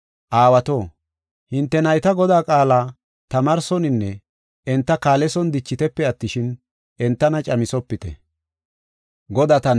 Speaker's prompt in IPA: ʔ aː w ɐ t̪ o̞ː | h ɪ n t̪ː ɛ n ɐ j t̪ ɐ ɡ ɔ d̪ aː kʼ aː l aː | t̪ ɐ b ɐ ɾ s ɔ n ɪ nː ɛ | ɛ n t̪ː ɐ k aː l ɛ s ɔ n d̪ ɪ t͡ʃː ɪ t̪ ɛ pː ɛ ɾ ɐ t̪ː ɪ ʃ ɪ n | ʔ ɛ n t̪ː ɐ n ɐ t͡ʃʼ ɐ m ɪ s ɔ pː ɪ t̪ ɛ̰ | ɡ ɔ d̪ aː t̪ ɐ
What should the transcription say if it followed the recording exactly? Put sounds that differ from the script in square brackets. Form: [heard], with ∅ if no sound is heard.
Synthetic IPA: ʔ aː w ɐ t̪ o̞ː | h ɪ n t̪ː ɛ n ɐ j t̪ ɐ ɡ ɔ d̪ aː kʼ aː l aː | t̪ ɐ [m] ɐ ɾ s ɔ n ɪ nː ɛ | ɛ n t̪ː ɐ k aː l ɛ s ɔ n d̪ ɪ t͡ʃː ɪ t̪ ɛ pː ɛ [∅] ɐ t̪ː ɪ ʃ ɪ n | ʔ ɛ n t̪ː ɐ n ɐ t͡ʃʼ ɐ m ɪ s ɔ pː ɪ t̪ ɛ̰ | ɡ ɔ d̪ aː t̪ ɐ

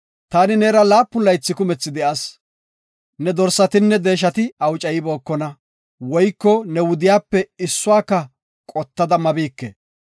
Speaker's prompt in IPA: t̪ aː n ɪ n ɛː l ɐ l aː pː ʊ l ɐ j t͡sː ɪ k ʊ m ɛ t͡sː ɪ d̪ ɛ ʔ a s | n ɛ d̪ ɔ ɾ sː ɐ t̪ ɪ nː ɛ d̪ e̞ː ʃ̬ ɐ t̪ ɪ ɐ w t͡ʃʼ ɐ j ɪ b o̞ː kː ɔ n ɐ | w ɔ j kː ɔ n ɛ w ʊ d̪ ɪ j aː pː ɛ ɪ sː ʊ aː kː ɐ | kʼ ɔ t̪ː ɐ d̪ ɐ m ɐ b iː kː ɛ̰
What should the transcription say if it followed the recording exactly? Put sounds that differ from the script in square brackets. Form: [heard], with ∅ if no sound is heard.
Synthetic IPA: t̪ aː n ɪ n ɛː [ɾ] ɐ l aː pː ʊ l ɐ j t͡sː ɪ k ʊ m ɛ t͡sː ɪ d̪ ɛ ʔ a s | n ɛ d̪ ɔ ɾ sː ɐ t̪ ɪ nː ɛ d̪ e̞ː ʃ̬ ɐ t̪ ɪ ɐ w t͡ʃʼ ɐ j ɪ b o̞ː kː ɔ n ɐ | w ɔ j kː ɔ n ɛ w ʊ d̪ ɪ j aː pː ɛ ɪ sː ʊ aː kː ɐ | kʼ ɔ t̪ː ɐ d̪ ɐ m ɐ b iː kː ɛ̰

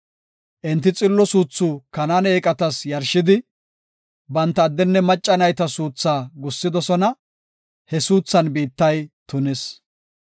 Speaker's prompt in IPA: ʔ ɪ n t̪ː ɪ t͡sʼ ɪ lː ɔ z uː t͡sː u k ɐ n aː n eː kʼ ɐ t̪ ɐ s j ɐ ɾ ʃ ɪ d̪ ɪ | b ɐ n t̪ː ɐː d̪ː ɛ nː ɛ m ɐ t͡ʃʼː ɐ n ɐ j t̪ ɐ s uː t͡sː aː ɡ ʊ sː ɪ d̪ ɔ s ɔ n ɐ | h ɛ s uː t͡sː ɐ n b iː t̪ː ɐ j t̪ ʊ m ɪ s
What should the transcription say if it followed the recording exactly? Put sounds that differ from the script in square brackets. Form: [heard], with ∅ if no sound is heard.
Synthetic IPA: ʔ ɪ n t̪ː ɪ t͡sʼ ɪ lː ɔ [s] uː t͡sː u k ɐ n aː n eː kʼ ɐ t̪ ɐ s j ɐ ɾ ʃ ɪ d̪ ɪ | b ɐ n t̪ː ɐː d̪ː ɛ nː ɛ m ɐ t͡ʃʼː ɐ n ɐ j t̪ ɐ s uː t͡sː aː ɡ ʊ sː ɪ d̪ ɔ s ɔ n ɐ | h ɛ s uː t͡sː ɐ n b iː t̪ː ɐ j t̪ ʊ [n] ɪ s

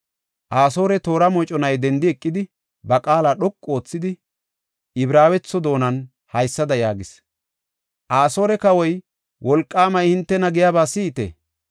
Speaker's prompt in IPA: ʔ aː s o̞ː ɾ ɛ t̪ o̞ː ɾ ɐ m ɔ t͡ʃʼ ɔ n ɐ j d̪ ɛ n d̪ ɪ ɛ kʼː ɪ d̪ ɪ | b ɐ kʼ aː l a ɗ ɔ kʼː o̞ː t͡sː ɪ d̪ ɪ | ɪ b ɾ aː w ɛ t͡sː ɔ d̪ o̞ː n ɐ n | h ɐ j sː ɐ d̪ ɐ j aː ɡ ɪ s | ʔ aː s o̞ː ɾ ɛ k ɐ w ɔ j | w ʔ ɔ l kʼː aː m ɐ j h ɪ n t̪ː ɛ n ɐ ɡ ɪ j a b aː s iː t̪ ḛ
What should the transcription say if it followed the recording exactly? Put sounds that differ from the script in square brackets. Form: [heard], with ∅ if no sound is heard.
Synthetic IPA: ʔ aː s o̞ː ɾ ɛ t̪ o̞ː ɾ ɐ m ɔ t͡ʃʼ ɔ n ɐ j d̪ ɛ n d̪ ɪ ɛ kʼː ɪ d̪ ɪ | b ɐ kʼ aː l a ɗ ɔ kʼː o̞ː t͡sː ɪ d̪ ɪ | ɪ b ɾ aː w ɛ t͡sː ɔ d̪ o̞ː n ɐ n | h ɐ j sː ɐ d̪ ɐ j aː ɡ ɪ s | ʔ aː s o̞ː ɾ ɛ k ɐ w ɔ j | w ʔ ɔ l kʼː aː m ɐ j h ɪ n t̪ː ɛ n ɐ ɡ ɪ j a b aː s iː t̪ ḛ

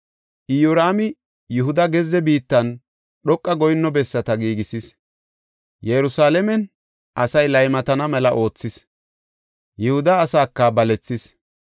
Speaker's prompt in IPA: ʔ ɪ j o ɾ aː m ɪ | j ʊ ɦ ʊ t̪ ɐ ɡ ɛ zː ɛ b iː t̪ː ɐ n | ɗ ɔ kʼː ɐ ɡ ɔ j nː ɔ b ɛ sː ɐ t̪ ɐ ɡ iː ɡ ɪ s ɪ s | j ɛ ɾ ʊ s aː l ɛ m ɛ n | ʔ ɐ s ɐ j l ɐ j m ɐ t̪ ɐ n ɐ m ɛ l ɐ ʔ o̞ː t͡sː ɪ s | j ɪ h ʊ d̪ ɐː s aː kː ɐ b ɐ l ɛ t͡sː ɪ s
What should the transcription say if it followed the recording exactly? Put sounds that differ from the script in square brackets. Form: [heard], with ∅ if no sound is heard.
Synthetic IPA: ʔ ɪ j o ɾ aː m ɪ | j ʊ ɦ ʊ [d̪] ɐ ɡ ɛ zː ɛ b iː t̪ː ɐ n | ɗ ɔ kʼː ɐ ɡ ɔ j nː ɔ b ɛ sː ɐ t̪ ɐ ɡ iː ɡ ɪ s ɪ s | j ɛ ɾ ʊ s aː l ɛ m ɛ n | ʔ ɐ s ɐ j l ɐ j m ɐ t̪ ɐ n ɐ m ɛ l ɐ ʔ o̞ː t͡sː ɪ s | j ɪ h ʊ d̪ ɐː s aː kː ɐ b ɐ l ɛ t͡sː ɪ s

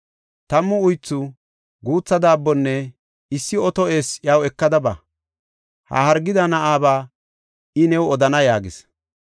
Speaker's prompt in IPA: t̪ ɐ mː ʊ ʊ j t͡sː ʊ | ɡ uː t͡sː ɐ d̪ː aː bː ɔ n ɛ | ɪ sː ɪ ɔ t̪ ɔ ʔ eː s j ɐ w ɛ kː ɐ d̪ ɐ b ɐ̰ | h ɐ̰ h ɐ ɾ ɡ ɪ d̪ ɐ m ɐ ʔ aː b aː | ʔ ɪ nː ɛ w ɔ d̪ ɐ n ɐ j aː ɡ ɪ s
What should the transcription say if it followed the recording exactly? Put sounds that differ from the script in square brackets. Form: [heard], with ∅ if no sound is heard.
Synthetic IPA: t̪ ɐ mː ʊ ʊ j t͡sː ʊ | ɡ uː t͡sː ɐ [d̪] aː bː ɔ [nː] ɛ | ɪ sː ɪ ɔ t̪ ɔ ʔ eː s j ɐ w ɛ kː ɐ d̪ ɐ b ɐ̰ | h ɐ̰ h ɐ ɾ ɡ ɪ d̪ ɐ [n] ɐ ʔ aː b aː | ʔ ɪ [n] ɛ w ɔ d̪ ɐ n ɐ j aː ɡ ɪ s

